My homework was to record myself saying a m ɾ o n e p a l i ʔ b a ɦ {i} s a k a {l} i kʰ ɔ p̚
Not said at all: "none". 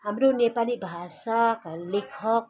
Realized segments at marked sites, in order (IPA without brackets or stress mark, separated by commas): a, l